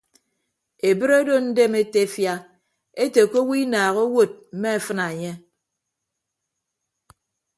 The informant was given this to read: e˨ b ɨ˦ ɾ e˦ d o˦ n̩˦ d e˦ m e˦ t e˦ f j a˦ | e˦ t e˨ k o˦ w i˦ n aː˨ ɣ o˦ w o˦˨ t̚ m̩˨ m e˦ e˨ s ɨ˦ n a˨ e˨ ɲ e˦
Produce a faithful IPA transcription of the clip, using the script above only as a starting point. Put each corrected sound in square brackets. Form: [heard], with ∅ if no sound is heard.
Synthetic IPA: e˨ b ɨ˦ ɾ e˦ d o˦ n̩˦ d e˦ m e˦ t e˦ f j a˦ | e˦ t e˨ k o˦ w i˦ n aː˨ ɣ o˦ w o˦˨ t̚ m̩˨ m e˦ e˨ [f] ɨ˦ n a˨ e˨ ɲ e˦